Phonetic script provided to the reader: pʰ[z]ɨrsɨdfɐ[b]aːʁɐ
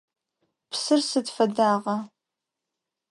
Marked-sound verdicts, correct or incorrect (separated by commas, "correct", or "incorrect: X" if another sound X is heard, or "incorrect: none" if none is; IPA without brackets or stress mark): incorrect: s, incorrect: d